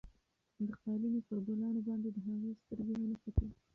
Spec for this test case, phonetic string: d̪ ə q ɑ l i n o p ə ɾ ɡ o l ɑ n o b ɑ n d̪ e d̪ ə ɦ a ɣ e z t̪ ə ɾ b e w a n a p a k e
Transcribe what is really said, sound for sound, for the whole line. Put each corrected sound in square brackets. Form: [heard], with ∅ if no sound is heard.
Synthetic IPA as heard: d̪ ə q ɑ l i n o p ə ɾ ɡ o l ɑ n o b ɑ n d̪ e d̪ ə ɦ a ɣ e [s] t̪ ə ɾ [ɡ] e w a n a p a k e